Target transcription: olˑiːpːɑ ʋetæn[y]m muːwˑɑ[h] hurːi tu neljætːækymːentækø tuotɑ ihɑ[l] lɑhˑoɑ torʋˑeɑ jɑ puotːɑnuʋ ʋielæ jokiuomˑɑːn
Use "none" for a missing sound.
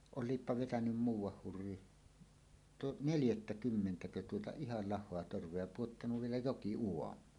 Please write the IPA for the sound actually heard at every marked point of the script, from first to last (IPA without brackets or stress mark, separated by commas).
y, h, l